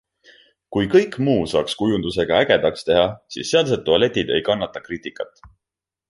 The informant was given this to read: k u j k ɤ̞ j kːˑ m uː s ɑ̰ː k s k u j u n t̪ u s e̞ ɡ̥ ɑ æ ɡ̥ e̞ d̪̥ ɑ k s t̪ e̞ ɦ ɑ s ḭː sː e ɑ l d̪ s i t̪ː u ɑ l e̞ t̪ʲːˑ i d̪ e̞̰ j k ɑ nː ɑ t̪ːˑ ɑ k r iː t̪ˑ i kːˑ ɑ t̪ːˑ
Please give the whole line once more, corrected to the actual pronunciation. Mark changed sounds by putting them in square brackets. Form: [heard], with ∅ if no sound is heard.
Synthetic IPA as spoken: k u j k ɤ̞ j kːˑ m uː s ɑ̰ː k s k u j u n [d̪] u s e̞ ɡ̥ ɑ æ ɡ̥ e̞ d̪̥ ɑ k s t̪ e̞ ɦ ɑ s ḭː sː e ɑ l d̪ s [e] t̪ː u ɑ l e̞ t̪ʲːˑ i d̪ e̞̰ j k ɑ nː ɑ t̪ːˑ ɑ k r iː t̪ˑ i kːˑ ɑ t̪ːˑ

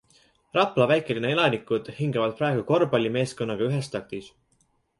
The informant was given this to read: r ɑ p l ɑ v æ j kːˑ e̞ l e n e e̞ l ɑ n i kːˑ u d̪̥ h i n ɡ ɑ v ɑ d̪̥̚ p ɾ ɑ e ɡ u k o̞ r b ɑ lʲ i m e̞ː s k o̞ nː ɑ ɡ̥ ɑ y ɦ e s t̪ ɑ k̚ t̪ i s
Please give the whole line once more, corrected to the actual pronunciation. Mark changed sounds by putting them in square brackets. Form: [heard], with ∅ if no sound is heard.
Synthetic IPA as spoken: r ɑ p l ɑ v æ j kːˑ e̞ l [i] n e e̞ l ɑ n i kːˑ u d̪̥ h i [ŋ] ɡ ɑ v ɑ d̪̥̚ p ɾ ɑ e ɡ u k o̞ r b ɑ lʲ i m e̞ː s k o̞ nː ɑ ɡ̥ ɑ y ɦ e s t̪ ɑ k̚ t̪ i s

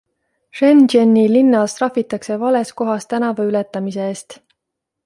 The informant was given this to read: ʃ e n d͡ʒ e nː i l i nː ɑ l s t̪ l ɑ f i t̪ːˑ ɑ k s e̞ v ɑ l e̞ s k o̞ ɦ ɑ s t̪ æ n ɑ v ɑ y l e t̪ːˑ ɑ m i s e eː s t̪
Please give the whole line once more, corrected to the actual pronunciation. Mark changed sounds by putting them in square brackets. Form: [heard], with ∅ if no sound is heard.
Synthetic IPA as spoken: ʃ e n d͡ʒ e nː i l i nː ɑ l s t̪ [r] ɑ f i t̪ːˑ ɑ k s e̞ v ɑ l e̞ s k o̞ ɦ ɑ s t̪ æ n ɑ v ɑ y l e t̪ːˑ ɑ m i s e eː s t̪

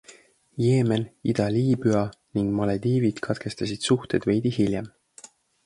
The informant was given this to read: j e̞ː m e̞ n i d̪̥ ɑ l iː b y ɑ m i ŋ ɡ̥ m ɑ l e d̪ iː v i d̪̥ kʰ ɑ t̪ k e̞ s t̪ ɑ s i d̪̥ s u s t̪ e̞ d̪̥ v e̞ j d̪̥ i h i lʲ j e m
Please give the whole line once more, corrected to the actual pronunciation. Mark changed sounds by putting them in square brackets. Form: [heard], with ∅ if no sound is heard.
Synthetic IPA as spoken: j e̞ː m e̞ n i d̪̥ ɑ l iː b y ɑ [n] i ŋ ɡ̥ m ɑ l e d̪ iː v i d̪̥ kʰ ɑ t̪ k e̞ s t̪ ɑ s i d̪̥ s u [h] t̪ e̞ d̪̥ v e̞ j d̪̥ i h i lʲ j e m

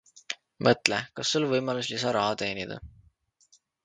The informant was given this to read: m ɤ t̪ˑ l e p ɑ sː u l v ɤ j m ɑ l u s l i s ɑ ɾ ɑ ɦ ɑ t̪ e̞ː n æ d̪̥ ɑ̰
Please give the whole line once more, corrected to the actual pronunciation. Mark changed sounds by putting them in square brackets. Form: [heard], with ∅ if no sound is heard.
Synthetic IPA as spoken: m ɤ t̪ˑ l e [k] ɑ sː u l v ɤ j m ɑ l u s l i s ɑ ɾ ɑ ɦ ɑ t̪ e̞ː n [i] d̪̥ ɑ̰

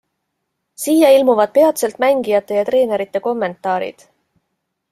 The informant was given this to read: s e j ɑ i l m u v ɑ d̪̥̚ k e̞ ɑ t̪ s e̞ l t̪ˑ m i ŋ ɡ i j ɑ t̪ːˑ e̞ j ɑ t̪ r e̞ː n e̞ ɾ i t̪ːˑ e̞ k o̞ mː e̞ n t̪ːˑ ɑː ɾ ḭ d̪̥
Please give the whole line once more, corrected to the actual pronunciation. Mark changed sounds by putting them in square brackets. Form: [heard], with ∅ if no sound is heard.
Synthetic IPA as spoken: s [i] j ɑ i l m u v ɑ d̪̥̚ [p] e̞ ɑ t̪ s e̞ l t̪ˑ m [æ] ŋ ɡ i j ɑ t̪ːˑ e̞ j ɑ t̪ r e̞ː n e̞ ɾ i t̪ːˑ e̞ k o̞ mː e̞ n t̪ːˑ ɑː ɾ ḭ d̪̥

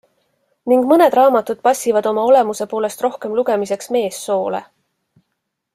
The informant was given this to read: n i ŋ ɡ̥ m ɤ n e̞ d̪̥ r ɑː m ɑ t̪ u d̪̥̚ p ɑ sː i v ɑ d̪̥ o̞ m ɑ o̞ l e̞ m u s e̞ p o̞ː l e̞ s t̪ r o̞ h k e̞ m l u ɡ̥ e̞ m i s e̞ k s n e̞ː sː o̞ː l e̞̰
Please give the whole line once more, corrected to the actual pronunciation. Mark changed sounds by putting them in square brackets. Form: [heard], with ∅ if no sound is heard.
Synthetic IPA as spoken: n i ŋ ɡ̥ m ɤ n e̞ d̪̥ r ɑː m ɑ t̪ u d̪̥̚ p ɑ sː i v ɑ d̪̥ o̞ m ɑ o̞ l e̞ m u s e̞ p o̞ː l e̞ s t̪ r o̞ h k e̞ m l u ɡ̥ e̞ m i s e̞ k s [m] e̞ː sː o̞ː l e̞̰

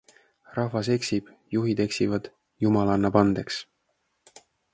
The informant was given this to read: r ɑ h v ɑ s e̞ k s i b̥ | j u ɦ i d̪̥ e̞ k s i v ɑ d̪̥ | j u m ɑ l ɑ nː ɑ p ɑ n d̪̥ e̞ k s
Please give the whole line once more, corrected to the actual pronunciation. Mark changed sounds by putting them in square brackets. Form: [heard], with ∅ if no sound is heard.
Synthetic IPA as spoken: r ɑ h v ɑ s e̞ k s i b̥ | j u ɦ i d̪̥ e̞ k s i v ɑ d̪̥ | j u m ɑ l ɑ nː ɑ p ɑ n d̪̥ e̞ k s

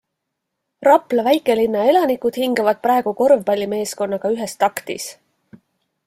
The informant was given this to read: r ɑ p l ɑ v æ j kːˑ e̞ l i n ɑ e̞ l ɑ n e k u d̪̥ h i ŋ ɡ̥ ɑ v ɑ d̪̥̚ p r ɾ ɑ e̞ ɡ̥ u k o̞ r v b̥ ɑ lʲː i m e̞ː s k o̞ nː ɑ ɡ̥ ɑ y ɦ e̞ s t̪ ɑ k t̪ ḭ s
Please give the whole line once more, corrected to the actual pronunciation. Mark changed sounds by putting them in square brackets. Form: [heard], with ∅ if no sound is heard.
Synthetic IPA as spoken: r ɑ p l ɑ v æ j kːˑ e̞ l i [nː] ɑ e̞ l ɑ n [i] k u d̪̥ h i ŋ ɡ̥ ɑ v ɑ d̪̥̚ p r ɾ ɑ e̞ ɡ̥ u k o̞ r v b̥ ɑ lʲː i m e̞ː s k o̞ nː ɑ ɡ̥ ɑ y ɦ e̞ s t̪ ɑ k t̪ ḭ s

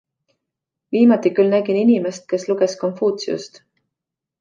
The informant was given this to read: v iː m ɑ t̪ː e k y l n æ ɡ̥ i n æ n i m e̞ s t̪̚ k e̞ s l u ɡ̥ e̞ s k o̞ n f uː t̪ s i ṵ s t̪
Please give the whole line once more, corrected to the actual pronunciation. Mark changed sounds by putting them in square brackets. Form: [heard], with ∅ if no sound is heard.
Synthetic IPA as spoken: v iː m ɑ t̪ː [i] k y l n æ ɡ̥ i n [i] n i m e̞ s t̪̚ k e̞ s l u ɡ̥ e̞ s k o̞ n f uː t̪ s i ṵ s t̪

